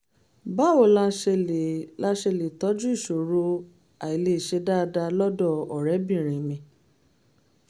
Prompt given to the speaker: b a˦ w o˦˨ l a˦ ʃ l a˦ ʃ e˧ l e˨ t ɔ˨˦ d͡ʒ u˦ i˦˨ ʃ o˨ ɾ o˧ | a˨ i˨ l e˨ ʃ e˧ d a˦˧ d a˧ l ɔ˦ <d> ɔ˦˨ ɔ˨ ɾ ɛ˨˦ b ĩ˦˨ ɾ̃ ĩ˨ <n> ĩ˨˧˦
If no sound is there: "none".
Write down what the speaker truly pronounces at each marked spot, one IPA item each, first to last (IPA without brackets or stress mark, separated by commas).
d, m